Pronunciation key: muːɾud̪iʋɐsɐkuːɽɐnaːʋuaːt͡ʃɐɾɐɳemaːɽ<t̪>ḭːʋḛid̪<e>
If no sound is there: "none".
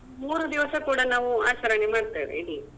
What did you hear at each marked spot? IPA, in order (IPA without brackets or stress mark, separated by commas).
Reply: t̪, i